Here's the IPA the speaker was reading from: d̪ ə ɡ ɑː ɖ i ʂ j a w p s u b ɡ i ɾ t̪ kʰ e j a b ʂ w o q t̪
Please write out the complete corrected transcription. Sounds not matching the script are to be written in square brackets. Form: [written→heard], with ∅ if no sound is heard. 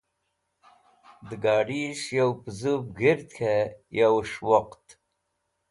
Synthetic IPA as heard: d̪ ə ɡ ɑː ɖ i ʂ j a w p [s→z] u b ɡ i ɾ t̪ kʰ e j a [b→w] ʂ w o q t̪